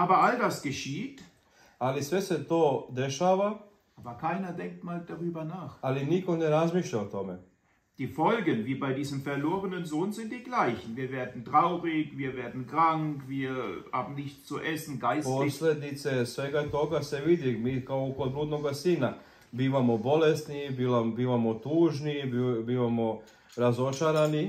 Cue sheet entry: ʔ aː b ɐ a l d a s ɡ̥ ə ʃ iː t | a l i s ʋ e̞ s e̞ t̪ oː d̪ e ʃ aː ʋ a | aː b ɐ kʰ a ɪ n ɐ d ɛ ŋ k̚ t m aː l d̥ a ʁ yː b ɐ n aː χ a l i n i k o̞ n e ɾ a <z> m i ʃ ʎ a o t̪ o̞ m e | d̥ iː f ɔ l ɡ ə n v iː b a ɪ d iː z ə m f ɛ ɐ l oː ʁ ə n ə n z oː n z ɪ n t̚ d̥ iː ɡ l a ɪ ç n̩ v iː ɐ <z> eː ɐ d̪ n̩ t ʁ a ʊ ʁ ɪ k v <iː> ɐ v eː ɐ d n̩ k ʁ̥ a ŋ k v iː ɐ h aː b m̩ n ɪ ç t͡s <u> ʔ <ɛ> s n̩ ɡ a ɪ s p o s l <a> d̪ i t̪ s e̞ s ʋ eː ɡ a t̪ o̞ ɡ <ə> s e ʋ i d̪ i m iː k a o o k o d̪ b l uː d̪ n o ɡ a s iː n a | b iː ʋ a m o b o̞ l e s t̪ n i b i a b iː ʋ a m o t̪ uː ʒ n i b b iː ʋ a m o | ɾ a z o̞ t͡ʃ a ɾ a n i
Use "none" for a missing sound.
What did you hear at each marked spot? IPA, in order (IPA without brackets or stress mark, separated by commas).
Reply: z, v, iː, u, ɛ, e, a